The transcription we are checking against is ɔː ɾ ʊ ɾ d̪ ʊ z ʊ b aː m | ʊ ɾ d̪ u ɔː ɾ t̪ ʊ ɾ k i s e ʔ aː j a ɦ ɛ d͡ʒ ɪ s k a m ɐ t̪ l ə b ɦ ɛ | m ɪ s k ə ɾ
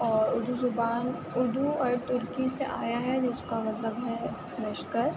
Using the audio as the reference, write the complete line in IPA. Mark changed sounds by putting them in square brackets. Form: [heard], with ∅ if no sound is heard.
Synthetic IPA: ɔː ɾ ʊ ɾ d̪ [u] z ʊ b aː [n] | ʊ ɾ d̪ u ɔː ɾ t̪ ʊ ɾ k i s e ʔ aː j a ɦ ɛ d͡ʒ ɪ s k a m ɐ t̪ l ə b ɦ ɛ | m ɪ [ʃ] k ə ɾ